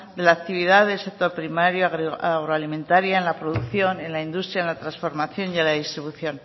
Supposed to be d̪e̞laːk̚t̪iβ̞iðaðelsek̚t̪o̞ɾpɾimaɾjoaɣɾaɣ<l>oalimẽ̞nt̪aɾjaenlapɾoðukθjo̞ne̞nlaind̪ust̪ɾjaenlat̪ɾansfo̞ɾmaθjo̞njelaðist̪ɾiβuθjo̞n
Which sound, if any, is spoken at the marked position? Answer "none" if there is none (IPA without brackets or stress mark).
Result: ɾ